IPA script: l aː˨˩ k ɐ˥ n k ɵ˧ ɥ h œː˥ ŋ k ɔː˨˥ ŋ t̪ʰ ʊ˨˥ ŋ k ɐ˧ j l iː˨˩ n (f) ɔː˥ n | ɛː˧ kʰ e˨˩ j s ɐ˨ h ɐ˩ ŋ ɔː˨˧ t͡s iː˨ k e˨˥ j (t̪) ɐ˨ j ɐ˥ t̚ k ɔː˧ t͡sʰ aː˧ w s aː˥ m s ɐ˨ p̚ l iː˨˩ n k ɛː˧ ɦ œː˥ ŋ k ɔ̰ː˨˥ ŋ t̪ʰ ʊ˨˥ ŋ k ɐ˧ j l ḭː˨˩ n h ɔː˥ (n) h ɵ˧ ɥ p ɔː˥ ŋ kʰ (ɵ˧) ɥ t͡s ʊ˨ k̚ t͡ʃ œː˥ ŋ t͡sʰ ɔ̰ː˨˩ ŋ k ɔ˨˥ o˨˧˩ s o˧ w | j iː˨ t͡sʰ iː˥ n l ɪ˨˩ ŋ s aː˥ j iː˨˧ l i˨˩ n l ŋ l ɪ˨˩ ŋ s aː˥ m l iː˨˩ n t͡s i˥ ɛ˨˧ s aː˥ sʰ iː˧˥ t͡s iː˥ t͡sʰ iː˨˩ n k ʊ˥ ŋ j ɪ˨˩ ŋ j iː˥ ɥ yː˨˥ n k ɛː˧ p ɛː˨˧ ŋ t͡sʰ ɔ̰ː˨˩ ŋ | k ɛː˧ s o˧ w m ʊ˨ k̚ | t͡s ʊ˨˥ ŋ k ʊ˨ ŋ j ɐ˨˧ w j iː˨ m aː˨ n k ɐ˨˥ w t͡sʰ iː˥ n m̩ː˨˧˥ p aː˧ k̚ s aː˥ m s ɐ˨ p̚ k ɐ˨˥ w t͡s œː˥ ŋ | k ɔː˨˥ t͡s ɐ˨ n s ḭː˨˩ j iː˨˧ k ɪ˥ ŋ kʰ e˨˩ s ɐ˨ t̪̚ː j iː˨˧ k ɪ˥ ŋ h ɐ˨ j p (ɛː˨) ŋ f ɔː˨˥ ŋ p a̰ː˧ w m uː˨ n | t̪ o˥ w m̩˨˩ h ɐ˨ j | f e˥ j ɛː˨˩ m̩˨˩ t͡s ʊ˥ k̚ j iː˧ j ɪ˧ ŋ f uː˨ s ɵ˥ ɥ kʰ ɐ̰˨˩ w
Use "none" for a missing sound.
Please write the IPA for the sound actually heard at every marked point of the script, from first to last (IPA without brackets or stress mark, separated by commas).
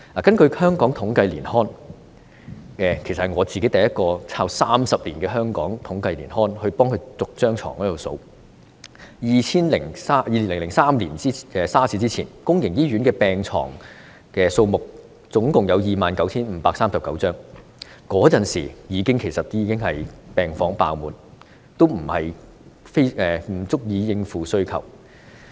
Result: h, t̪, n, ɵ˧, ɛː˨